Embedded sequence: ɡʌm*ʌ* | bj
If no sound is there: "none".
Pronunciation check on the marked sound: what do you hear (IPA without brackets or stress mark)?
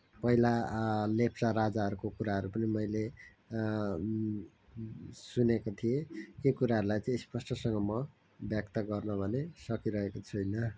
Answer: ʌ